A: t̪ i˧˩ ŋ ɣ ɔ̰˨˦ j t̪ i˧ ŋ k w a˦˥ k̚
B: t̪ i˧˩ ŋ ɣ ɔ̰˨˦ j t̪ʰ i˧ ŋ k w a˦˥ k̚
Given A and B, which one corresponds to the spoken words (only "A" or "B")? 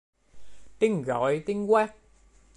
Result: A